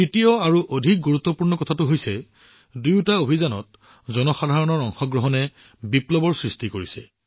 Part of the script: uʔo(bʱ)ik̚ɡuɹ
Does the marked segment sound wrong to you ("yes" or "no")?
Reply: yes